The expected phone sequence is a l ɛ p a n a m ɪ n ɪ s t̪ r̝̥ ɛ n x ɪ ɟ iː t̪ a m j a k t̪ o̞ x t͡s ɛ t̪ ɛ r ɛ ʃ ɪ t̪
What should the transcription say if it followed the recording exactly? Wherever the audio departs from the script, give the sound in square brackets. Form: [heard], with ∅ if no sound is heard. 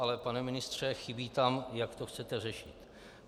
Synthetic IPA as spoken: a l ɛ p a n [ɛ] m ɪ n ɪ s t̪ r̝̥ ɛ [∅] x ɪ [b] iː t̪ a m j a k t̪ o̞ x t͡s ɛ t̪ ɛ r ɛ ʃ ɪ t̪